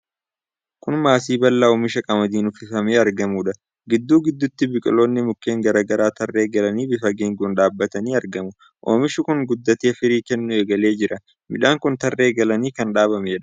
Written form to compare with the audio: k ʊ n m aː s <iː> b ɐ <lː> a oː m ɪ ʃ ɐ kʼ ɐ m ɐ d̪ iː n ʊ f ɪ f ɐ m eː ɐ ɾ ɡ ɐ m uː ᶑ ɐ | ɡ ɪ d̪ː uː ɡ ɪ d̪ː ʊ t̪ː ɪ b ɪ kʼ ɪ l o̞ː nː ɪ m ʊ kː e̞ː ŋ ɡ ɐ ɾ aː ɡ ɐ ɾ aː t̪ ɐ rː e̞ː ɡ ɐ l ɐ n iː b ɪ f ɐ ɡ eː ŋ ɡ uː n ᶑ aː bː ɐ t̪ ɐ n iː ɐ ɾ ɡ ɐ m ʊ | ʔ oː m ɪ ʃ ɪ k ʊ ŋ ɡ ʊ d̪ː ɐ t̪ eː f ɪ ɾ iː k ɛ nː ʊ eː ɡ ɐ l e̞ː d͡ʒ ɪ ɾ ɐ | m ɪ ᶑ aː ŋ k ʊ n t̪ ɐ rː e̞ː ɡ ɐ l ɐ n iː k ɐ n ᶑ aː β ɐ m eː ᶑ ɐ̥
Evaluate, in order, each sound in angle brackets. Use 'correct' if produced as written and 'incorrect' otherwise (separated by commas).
correct, correct